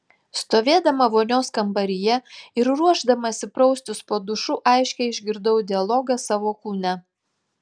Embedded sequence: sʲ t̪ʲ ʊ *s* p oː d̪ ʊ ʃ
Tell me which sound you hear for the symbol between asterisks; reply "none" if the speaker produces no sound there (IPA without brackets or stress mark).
s